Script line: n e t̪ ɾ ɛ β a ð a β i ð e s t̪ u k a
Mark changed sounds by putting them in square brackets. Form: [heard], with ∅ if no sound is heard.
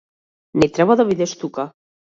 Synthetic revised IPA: n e t̪ ɾ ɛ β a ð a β i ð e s t̪ u k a